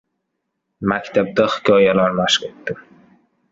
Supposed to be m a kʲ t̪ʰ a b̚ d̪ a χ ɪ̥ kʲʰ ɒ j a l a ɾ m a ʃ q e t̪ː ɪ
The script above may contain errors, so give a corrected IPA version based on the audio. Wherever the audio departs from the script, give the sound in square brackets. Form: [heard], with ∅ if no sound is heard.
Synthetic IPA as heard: m a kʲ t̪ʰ a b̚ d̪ a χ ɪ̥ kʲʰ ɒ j a l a ɾ m a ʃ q e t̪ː ɪ